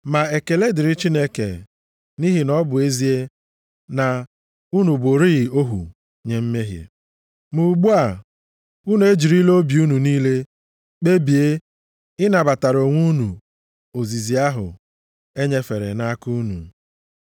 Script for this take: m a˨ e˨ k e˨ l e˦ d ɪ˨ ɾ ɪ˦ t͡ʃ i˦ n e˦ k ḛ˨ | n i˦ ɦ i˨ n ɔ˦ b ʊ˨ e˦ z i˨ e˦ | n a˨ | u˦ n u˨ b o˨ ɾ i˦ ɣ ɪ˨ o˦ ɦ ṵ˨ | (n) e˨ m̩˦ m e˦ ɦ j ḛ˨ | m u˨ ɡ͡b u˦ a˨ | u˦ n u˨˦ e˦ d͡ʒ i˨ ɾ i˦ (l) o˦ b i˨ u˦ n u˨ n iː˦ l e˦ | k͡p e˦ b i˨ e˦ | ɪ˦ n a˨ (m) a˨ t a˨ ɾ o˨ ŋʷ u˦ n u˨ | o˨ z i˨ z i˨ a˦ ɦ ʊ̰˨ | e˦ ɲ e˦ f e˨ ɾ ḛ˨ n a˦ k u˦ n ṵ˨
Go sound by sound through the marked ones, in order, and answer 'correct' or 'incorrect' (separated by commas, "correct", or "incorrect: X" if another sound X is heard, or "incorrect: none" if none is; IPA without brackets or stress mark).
incorrect: ɲ, correct, incorrect: b